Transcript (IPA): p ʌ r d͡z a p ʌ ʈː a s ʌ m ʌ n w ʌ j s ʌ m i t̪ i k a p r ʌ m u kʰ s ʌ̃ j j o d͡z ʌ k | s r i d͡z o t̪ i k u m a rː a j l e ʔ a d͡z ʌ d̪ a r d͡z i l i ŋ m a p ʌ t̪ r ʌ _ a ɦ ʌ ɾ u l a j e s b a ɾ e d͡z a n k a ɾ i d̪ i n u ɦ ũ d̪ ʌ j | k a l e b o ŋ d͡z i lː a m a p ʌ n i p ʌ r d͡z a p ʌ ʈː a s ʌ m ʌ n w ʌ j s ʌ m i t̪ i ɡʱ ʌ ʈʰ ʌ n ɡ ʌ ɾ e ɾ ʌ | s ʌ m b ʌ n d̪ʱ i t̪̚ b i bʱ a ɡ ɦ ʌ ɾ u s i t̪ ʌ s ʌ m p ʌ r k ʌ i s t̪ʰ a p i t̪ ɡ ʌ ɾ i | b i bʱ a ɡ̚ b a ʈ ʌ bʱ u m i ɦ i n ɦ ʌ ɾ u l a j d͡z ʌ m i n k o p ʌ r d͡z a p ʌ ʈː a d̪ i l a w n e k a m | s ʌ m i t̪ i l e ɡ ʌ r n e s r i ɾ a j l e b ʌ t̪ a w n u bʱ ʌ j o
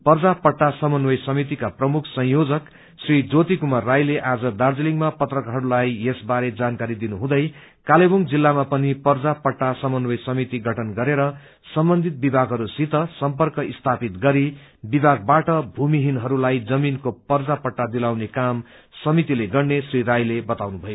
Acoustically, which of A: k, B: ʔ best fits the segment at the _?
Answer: A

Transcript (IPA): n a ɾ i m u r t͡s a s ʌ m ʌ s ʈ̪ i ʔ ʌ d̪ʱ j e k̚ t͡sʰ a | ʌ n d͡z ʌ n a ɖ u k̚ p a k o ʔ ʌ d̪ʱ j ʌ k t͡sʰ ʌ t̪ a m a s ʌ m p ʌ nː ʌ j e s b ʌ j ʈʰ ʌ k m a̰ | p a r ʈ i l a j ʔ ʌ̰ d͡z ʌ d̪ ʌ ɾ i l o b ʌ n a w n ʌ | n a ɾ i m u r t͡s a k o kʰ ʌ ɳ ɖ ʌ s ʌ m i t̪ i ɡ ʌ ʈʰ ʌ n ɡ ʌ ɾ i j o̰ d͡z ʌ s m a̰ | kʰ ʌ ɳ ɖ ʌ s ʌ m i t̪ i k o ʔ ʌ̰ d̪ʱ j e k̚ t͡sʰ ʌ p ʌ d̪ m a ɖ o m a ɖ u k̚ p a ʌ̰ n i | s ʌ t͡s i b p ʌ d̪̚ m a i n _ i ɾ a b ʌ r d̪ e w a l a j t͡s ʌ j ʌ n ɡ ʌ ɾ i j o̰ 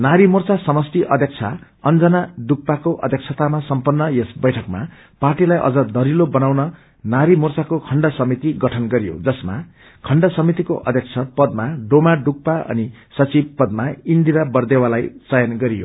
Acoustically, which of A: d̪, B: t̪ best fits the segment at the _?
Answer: A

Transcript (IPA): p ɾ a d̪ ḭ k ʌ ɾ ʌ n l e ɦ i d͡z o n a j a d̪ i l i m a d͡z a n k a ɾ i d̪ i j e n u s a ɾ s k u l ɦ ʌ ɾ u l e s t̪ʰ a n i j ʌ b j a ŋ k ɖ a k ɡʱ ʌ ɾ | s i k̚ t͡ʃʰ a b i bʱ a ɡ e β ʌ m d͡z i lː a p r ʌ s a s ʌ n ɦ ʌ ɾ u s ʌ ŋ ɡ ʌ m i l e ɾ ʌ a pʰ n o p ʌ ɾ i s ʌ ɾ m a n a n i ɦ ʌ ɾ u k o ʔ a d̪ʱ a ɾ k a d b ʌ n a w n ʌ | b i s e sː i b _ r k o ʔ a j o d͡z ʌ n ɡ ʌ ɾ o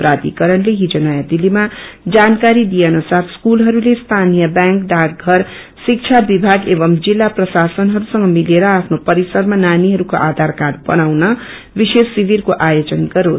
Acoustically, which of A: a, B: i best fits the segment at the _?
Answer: B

